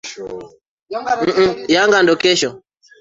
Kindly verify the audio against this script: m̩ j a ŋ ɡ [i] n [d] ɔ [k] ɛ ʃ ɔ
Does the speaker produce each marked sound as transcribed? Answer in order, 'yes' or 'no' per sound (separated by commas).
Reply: no, yes, yes